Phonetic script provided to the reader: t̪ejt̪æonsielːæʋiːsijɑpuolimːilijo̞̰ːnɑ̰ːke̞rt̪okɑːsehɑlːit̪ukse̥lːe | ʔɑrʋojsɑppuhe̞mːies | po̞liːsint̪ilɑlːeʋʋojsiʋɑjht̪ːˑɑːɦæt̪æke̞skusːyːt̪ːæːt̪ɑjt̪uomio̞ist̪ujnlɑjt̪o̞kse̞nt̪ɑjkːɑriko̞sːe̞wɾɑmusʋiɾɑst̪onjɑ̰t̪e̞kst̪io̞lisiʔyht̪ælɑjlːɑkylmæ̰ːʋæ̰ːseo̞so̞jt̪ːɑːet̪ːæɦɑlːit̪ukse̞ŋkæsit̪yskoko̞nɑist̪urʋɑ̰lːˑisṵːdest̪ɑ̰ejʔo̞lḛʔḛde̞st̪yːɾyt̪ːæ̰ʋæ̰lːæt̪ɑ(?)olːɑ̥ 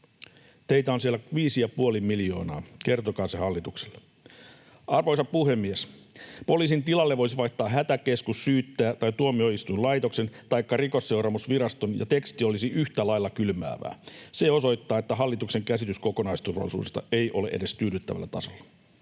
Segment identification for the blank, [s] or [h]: s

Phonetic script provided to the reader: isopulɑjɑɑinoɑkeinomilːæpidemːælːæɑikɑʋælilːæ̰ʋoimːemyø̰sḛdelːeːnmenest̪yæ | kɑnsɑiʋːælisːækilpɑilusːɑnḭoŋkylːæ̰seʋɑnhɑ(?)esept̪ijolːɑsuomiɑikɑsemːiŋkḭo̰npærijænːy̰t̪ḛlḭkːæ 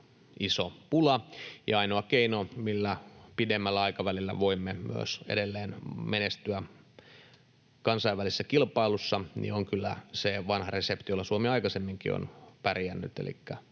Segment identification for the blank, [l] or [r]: r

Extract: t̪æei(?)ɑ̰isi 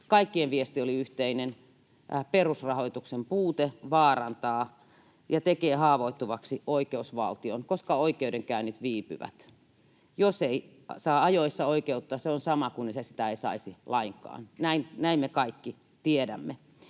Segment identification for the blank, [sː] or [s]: s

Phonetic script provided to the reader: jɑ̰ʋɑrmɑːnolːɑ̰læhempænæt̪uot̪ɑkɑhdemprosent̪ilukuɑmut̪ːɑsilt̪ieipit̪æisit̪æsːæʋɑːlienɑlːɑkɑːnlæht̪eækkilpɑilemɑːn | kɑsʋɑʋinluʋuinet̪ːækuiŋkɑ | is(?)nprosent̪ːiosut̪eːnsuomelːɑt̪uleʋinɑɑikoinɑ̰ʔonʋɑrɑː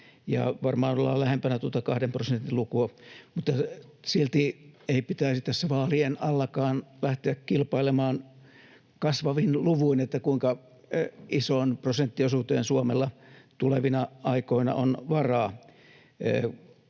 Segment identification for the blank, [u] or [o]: o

